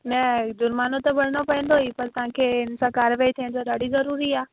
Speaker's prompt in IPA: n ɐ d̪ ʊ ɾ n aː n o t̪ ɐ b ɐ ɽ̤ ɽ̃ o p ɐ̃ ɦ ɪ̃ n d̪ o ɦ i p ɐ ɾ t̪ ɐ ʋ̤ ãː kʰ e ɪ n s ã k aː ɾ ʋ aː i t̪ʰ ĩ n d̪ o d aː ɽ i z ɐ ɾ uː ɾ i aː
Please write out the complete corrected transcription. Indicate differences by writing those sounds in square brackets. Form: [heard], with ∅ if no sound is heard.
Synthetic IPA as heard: n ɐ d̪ ʊ ɾ [m] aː n o t̪ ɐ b ɐ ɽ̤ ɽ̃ o p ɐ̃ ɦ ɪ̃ n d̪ o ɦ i p ɐ ɾ t̪ ɐ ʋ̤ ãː kʰ e ɪ n s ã k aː ɾ ʋ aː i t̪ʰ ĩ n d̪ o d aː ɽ i z ɐ ɾ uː ɾ i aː